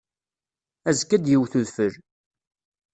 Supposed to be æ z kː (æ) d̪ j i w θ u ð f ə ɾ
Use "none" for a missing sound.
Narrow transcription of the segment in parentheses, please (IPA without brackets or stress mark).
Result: æ